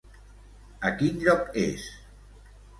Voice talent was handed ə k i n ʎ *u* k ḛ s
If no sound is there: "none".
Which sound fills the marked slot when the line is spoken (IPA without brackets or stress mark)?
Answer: ɔ